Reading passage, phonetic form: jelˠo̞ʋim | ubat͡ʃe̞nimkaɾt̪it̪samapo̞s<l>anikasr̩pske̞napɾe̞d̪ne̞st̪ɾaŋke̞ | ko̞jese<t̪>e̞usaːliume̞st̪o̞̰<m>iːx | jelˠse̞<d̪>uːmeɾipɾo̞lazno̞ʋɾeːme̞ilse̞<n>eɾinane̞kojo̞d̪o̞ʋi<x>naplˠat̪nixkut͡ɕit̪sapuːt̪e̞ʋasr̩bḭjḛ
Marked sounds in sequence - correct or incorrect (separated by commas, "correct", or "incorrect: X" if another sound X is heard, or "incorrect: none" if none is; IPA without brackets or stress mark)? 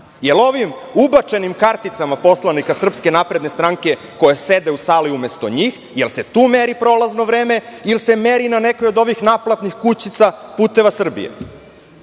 correct, incorrect: d̪, incorrect: ɲ, incorrect: t̪, incorrect: m, correct